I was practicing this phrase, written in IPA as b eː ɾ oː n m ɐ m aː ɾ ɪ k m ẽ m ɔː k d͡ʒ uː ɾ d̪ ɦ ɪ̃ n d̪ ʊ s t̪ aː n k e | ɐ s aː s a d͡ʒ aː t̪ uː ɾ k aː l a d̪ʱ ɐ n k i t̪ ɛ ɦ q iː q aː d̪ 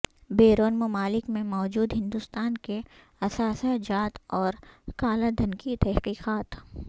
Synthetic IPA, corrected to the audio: b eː ɾ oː n m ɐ m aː l ɪ k m ẽ m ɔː d͡ʒ uː d̪ ɦ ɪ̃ n d̪ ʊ s t̪ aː n k e | ɐ s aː s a d͡ʒ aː t̪ ɔː ɾ k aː l a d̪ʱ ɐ n k i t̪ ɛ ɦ q iː q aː t̪